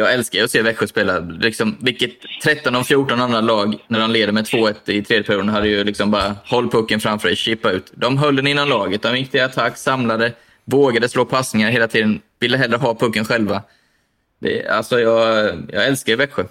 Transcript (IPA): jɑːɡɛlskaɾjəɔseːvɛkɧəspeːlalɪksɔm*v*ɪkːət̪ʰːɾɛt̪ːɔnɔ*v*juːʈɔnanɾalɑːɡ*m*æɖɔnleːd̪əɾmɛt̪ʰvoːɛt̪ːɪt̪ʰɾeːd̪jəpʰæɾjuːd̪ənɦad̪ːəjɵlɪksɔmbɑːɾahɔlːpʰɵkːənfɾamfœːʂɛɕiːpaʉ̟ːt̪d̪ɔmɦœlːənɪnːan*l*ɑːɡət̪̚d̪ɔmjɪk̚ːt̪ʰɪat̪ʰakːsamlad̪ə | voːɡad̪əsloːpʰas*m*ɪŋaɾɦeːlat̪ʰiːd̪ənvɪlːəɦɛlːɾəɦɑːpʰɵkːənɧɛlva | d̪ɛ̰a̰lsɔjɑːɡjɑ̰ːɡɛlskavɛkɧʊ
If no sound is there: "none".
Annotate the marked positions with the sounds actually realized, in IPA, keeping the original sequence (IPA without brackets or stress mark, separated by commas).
v, f, n, l, n